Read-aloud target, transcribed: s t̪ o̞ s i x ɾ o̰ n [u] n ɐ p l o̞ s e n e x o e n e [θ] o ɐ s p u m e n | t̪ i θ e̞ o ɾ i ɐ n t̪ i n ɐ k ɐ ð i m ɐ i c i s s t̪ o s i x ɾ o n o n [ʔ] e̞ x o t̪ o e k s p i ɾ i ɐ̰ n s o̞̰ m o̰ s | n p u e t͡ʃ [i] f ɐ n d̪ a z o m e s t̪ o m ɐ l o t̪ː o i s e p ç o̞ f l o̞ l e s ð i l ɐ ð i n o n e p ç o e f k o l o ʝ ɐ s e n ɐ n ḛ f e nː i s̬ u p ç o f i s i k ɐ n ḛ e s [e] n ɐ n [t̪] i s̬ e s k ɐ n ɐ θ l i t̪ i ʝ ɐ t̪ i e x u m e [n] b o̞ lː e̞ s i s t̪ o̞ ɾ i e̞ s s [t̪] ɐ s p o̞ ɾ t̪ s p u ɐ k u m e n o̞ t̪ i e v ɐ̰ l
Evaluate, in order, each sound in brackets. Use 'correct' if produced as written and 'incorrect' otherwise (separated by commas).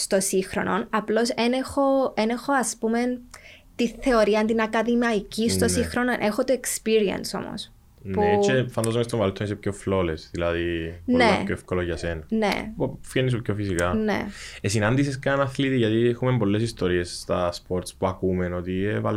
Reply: incorrect, incorrect, correct, incorrect, incorrect, incorrect, incorrect, correct